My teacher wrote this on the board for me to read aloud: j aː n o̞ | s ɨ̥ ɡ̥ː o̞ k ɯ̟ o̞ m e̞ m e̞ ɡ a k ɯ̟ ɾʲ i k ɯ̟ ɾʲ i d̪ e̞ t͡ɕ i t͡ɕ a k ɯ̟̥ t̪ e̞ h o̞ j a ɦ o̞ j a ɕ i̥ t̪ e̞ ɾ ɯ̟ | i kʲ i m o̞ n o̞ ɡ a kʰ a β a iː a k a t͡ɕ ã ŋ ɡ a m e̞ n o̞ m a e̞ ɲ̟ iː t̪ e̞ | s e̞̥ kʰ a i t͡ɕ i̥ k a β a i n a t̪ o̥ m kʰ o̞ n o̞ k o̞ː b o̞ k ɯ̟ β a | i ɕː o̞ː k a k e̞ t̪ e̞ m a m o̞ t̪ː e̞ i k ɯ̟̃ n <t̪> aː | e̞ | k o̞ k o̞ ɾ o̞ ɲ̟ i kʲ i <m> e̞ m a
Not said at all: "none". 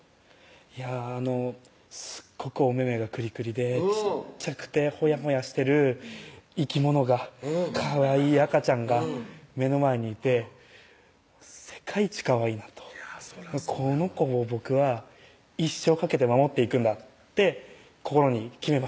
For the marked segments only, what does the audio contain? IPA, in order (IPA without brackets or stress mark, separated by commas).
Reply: d̪, m